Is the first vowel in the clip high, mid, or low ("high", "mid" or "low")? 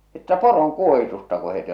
mid